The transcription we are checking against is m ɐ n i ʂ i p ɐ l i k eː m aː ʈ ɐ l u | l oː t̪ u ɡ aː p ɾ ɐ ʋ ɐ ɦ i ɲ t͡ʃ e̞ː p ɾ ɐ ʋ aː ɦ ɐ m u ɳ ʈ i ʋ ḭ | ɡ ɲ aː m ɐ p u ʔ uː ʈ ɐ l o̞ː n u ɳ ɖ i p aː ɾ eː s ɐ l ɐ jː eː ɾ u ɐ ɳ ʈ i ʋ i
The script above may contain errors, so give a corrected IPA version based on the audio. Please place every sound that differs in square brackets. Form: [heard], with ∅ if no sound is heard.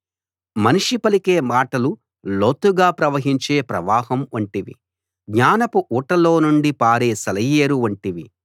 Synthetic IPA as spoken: m ɐ n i ʂ i p ɐ l i k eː m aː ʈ ɐ l u | l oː t̪ u ɡ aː p ɾ ɐ ʋ ɐ ɦ i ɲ t͡ʃ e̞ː p ɾ ɐ ʋ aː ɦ ɐ m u ɳ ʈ i ʋ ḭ | ɡ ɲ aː [n] ɐ p u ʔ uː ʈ ɐ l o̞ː n u ɳ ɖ i p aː ɾ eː s ɐ l ɐ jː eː ɾ u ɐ ɳ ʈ i ʋ i